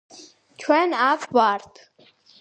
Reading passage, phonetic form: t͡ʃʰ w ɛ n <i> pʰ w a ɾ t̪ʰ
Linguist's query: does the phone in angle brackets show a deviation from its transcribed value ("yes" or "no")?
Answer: yes